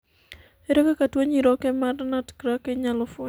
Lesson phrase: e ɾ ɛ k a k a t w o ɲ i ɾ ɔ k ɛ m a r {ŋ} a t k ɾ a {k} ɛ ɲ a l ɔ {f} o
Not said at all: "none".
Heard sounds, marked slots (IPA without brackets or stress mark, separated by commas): n, k, f